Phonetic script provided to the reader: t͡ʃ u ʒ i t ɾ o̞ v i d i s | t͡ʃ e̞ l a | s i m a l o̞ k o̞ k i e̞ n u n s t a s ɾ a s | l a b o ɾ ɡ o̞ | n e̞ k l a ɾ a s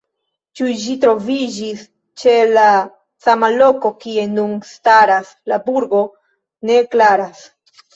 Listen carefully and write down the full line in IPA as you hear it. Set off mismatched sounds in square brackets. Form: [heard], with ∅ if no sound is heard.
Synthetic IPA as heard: t͡ʃ u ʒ i t ɾ o̞ v i [d͡ʒ] i s | t͡ʃ e̞ l a | s [a] m a l o̞ k o̞ k i e̞ n u n s t a [∅] ɾ a s | l a b [u] ɾ ɡ o̞ | n e̞ k l a ɾ a s